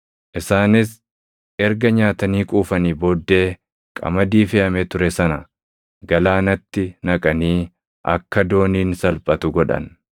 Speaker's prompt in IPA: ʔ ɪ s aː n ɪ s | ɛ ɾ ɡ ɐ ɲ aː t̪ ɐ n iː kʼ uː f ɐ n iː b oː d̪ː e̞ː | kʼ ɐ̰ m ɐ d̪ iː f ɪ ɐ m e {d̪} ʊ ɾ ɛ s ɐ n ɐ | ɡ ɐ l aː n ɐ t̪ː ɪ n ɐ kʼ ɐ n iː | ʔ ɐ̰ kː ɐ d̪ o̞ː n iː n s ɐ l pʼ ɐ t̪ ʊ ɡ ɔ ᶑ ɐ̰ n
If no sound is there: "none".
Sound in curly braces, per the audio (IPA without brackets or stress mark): t̪